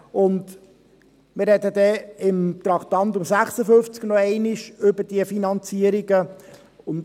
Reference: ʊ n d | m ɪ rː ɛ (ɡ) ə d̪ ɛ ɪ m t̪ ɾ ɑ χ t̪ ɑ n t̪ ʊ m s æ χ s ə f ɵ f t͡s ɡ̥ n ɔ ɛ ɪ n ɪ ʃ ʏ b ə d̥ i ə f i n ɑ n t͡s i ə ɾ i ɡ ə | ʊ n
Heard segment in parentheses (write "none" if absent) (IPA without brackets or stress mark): d